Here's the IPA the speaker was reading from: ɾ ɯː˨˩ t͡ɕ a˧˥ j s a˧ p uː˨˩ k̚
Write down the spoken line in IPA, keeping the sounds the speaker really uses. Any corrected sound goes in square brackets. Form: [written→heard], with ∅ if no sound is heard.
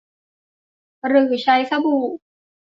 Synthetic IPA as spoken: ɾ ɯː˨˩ [t͡ɕ→t͡ɕʰ] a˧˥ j s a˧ [p→b] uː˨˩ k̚